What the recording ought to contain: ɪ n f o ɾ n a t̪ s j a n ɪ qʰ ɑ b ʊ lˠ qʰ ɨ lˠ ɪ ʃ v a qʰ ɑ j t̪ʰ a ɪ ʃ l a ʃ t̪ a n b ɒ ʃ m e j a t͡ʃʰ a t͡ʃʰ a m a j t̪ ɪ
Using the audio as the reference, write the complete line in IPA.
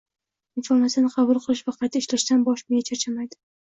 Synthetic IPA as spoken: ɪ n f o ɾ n a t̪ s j a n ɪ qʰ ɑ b ʊ lˠ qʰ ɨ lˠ ɪ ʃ v a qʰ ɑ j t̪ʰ a ɪ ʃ l a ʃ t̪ a n b ɒ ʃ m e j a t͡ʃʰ a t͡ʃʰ a m a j d̪ ɪ